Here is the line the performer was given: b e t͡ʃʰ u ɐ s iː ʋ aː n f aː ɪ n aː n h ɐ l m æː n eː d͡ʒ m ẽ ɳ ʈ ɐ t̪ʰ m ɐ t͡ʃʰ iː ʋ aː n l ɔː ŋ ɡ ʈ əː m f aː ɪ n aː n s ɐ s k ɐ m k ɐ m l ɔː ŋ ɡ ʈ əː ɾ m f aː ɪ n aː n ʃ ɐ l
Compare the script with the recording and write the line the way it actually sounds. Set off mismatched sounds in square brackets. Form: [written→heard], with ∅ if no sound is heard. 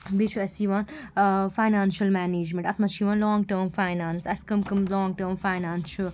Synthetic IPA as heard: b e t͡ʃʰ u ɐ s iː ʋ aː n f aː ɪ n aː n [h→ʃ] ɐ l m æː n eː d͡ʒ m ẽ ɳ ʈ ɐ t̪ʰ m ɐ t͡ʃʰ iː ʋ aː n l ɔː ŋ ɡ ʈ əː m f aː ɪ n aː n s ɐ s k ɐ m k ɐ m l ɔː ŋ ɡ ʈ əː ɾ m f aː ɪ n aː n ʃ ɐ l